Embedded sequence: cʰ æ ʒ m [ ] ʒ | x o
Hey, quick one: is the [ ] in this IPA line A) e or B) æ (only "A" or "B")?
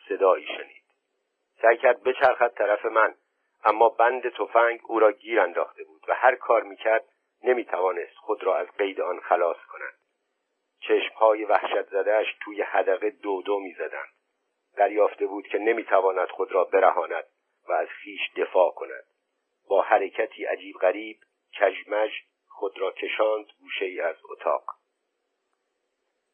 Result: B